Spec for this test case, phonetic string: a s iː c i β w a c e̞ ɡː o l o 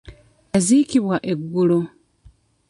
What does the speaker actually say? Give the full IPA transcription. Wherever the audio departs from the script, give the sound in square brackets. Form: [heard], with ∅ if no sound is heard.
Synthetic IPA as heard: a [z] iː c i β w a [ʔ] e̞ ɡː [u] l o